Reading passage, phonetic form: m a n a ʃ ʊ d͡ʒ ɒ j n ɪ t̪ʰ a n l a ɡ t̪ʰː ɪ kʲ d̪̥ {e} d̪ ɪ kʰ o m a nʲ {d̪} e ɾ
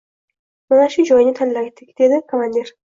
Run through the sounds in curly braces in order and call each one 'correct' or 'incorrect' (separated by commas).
correct, correct